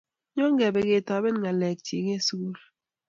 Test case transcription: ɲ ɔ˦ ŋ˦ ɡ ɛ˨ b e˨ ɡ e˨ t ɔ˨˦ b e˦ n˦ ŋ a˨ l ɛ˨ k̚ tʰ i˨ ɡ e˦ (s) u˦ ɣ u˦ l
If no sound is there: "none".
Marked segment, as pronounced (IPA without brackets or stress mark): s